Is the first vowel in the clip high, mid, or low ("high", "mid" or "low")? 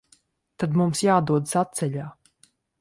low